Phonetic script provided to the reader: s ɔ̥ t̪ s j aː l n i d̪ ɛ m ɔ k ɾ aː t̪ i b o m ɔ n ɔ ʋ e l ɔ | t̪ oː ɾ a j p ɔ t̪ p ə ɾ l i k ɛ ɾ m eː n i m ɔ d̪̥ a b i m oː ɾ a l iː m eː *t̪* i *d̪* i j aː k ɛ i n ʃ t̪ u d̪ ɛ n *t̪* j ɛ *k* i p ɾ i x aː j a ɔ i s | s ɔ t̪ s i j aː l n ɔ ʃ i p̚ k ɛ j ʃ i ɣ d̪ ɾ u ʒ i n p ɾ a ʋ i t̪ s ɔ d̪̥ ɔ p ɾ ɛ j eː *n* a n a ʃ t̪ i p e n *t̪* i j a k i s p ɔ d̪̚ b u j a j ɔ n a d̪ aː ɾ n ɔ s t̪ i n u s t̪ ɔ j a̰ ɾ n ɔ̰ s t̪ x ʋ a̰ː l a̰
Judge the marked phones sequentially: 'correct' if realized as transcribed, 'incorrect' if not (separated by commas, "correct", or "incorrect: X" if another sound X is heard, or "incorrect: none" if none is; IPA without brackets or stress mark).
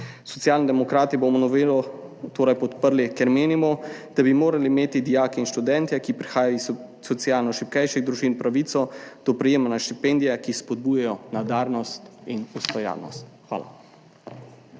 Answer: correct, correct, correct, correct, incorrect: m, incorrect: d̪